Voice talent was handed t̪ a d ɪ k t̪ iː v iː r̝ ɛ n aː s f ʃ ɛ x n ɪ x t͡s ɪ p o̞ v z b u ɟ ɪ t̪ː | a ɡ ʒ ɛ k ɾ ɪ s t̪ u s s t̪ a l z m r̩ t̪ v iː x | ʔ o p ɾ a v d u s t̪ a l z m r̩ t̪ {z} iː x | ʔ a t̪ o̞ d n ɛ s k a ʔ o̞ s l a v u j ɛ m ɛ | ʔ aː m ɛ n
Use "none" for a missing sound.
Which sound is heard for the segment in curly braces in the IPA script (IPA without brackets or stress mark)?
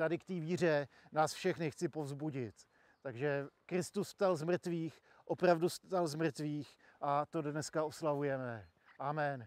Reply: v